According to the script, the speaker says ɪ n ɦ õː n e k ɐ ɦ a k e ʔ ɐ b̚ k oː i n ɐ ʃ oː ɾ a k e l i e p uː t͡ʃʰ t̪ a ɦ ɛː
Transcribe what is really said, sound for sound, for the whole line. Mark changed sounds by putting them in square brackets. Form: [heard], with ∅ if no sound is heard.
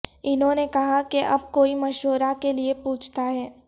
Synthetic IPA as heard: ɪ n ɦ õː n e k ɐ ɦ a k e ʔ ɐ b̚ k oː i [m] ɐ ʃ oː ɾ a k e l i e p uː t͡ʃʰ t̪ a ɦ ɛː